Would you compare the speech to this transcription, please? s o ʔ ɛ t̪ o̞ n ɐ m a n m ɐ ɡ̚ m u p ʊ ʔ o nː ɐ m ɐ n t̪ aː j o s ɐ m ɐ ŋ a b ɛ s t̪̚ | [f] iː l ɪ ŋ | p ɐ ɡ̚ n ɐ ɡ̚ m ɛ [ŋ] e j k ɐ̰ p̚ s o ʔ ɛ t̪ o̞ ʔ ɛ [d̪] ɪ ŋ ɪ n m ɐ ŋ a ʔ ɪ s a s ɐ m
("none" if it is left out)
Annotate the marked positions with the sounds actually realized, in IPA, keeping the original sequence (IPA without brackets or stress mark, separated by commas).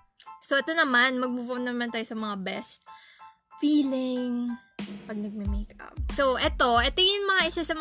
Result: f, m, t̪